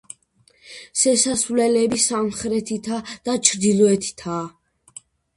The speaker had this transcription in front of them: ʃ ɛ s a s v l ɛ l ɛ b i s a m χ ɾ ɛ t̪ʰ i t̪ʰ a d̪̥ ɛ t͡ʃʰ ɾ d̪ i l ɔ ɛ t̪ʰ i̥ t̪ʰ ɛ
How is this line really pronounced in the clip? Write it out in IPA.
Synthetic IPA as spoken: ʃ ɛ s a s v l ɛ l ɛ b i s a m χ ɾ ɛ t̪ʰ i t̪ʰ a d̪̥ a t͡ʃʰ ɾ d̪ i l ɔ ɛ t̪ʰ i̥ t̪ʰ a

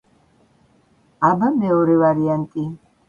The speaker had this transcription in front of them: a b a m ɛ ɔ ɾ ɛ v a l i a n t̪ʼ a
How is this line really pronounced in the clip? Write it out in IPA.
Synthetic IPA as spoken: a b a m ɛ ɔ ɾ ɛ v a ɾ i a n t̪ʼ i

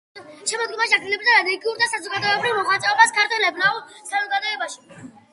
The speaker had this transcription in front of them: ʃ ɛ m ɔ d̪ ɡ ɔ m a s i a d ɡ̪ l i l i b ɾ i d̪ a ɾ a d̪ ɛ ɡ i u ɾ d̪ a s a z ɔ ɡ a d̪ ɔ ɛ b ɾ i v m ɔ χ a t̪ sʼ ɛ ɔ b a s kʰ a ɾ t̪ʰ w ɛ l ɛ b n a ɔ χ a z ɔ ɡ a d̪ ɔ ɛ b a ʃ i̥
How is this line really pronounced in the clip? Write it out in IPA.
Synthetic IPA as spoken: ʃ ɛ m ɔ d̪ ɡ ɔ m a ʃ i a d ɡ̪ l i l ɛ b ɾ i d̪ a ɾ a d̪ ɛ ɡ i u ɾ d̪ a s a z ɔ ɡ a d̪ ɔ ɛ b ɾ i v m ɔ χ a t̪ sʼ ɛ ɔ b a s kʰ a ɾ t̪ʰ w ɛ l ɛ b n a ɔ s a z ɔ ɡ a d̪ ɔ ɛ b a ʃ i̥

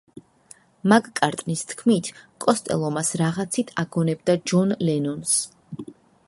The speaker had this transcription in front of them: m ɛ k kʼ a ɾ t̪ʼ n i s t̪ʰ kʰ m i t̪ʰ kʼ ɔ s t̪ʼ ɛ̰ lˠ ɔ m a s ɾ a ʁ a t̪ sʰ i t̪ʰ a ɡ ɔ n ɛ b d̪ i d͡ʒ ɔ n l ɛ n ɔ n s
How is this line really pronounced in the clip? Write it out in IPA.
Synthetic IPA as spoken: m a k kʼ a ɾ t̪ʼ n i s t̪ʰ kʰ m i t̪ʰ kʼ ɔ s t̪ʼ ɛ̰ lˠ ɔ m a s ɾ a ʁ a t̪ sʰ i t̪ʰ a ɡ ɔ n ɛ b d̪ a d͡ʒ ɔ n l ɛ n ɔ n s

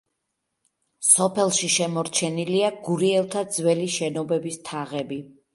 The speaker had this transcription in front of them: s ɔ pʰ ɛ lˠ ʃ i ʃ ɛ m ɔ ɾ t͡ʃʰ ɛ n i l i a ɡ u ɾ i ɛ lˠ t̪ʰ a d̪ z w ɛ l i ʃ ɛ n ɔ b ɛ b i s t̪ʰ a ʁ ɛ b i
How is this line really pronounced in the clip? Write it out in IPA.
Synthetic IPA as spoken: s ɔ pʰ ɛ lˠ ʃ i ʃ ɛ m ɔ ɾ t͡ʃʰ ɛ n i l i a ɡ u ɾ i ɛ lˠ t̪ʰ a d̪ z w ɛ l i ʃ ɛ n ɔ b ɛ b i s t̪ʰ a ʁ ɛ b i

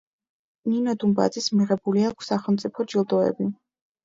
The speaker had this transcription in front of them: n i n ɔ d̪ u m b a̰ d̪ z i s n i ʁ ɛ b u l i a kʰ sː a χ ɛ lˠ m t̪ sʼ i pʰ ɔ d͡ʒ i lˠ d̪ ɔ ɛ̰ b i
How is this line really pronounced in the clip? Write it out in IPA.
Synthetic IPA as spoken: n i n ɔ d̪ u m b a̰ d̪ z i s m i ʁ ɛ b u l i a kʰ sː a χ ɛ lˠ m t̪ sʼ i pʰ ɔ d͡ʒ i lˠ d̪ ɔ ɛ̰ b i

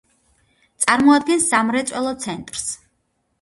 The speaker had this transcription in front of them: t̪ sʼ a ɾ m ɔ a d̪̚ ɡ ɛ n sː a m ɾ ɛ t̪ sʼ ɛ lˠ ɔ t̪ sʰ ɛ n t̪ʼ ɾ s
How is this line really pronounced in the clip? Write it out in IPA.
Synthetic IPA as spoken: t̪ sʼ a ɾ m ɔ a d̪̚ ɡ ɛ n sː a m ɾ ɛ t̪ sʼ ɛ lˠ ɔ t̪ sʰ ɛ n t̪ʼ ɾ s

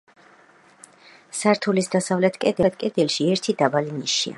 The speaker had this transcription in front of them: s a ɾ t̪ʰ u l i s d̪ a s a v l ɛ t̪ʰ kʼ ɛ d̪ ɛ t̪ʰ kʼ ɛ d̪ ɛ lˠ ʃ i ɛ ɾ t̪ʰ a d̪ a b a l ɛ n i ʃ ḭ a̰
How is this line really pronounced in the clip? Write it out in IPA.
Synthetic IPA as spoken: s a ɾ t̪ʰ u l i s d̪ a s a v l ɛ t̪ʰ kʼ ɛ d̪ ɛ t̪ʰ kʼ ɛ d̪ ɛ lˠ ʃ i ɛ ɾ t̪ʰ i d̪ a b a l i n i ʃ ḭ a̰

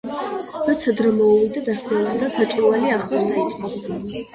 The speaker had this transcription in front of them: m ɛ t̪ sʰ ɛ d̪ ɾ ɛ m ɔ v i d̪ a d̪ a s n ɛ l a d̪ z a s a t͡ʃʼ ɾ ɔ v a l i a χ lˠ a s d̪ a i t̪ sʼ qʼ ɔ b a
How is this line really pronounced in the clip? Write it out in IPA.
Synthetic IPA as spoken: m ɛ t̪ sʰ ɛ d̪ ɾ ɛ m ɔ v i d̪ a d̪ a s n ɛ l a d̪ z a s a t͡ʃʼ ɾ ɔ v a l i a χ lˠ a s d̪ a i t̪ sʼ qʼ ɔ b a

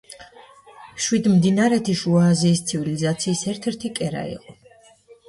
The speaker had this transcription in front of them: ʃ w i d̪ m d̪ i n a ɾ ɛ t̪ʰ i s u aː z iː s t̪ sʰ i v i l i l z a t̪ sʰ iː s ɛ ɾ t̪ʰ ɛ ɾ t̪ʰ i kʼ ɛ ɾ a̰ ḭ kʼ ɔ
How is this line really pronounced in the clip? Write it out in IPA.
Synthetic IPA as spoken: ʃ w i d̪ m d̪ i n a ɾ ɛ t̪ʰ i ʃ u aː z iː s t̪ sʰ i v i l i z a t̪ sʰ iː s ɛ ɾ t̪ʰ ɛ ɾ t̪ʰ i kʼ ɛ ɾ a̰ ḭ qʼ ɔ

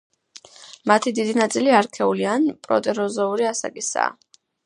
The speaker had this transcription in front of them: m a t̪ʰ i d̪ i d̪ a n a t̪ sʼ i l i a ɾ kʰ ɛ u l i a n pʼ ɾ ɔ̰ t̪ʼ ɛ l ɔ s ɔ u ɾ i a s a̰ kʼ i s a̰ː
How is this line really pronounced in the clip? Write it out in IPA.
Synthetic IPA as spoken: m a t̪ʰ i d̪ i d̪ i n a t̪ sʼ i l i a ɾ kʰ ɛ u l i a n pʼ ɾ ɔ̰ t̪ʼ ɛ ɾ ɔ z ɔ u ɾ i a s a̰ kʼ i s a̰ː

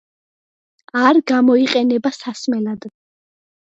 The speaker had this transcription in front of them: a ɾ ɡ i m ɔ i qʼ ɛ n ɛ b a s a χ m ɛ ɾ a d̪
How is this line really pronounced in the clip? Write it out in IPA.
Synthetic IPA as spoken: a ɾ ɡ a m ɔ i qʼ ɛ n ɛ b a s a s m ɛ l a d̪

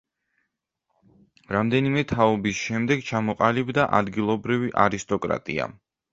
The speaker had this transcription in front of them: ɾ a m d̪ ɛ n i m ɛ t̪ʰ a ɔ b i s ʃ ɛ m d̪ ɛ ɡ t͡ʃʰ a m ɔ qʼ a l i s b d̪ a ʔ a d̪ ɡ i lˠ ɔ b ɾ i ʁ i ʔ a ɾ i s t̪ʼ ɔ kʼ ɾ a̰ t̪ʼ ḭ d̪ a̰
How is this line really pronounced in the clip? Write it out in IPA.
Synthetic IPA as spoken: ɾ a m d̪ ɛ n i m ɛ t̪ʰ a ɔ b i s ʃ ɛ m d̪ ɛ ɡ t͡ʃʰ a m ɔ qʼ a l i b d̪ a ʔ a d̪ ɡ i lˠ ɔ b ɾ i v i ʔ a ɾ i s t̪ʼ ɔ kʼ ɾ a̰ t̪ʼ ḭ a̰

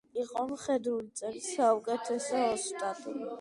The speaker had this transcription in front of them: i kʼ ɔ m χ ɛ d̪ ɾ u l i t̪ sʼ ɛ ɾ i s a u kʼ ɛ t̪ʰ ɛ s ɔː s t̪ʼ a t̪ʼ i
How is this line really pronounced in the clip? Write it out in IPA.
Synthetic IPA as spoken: i qʼ ɔ m χ ɛ d̪ ɾ u l i t̪ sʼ ɛ l i s a u kʼ ɛ t̪ʰ ɛ s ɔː s t̪ʼ a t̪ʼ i

